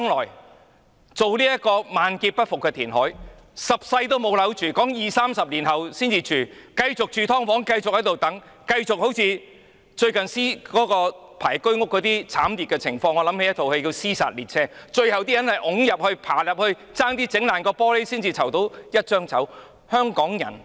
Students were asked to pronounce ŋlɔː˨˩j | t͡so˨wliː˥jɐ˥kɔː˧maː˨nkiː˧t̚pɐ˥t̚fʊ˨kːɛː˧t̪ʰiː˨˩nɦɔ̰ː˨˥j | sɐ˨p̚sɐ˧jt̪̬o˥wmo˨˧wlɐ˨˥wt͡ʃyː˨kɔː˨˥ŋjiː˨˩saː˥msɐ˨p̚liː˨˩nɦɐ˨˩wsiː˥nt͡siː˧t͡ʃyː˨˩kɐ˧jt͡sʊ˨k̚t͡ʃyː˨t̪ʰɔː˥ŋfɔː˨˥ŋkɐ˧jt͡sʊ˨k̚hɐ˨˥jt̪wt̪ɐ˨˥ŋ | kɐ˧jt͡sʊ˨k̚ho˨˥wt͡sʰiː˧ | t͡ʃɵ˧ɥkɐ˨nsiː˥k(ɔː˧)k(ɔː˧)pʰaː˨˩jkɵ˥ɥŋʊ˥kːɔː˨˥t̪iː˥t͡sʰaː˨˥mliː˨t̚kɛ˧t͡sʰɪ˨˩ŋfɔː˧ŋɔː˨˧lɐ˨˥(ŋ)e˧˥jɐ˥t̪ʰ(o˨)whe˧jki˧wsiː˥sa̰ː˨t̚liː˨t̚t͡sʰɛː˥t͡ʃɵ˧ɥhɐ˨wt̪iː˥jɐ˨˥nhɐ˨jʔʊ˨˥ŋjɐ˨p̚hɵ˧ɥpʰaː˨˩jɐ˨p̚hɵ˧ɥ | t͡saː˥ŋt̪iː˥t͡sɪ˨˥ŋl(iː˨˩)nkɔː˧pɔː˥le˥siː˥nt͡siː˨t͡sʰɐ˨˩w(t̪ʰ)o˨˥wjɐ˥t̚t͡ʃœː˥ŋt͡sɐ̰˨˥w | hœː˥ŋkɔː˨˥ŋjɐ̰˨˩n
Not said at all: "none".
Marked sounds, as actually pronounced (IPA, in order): ɔː˨˥, ɔː˧, m, o˨, aː˨˩, t̪

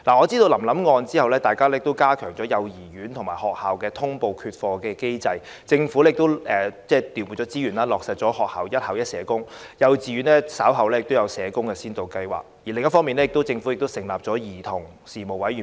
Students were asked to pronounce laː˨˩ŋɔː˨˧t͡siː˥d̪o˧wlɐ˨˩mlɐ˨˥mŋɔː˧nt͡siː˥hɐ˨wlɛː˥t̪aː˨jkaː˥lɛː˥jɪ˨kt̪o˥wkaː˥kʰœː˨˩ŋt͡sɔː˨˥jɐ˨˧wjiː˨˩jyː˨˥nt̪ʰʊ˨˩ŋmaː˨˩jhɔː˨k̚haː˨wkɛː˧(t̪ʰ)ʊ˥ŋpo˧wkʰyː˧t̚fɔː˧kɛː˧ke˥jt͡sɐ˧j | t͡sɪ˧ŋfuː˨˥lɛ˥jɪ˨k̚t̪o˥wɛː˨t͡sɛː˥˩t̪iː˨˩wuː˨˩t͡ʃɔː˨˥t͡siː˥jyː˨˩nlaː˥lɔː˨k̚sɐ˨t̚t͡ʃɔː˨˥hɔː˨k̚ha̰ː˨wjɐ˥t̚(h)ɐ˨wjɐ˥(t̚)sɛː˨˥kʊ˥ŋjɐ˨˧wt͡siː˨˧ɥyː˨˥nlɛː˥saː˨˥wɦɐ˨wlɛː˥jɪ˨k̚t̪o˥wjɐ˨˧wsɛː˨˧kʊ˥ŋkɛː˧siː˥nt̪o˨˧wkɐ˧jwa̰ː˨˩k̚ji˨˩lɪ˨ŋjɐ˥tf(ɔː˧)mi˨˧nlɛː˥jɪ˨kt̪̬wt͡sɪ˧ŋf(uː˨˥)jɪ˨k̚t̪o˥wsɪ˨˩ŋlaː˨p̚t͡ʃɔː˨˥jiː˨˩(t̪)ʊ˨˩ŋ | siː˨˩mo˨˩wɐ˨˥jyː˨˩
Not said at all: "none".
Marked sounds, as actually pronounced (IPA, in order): t̪ʰ, h, t̚, ɔː˥, u˨˥, t̪ʰ

